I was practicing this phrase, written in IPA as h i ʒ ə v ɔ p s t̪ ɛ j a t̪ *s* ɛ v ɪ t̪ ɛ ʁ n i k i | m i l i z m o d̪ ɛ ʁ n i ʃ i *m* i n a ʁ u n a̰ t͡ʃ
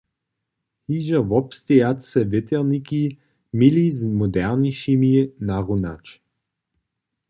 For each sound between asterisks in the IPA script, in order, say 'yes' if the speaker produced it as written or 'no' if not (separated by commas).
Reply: yes, yes